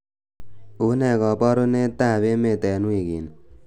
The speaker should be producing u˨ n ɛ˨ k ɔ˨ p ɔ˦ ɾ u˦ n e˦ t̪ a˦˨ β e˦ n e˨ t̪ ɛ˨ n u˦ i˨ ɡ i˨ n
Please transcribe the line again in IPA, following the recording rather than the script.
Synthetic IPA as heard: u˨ n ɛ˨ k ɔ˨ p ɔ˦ ɾ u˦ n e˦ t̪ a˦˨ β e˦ m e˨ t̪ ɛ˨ n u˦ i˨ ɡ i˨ n